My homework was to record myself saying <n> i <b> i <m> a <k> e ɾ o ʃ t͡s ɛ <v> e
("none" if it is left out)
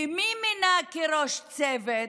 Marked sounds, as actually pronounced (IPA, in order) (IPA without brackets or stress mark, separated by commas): m, m, n, k, v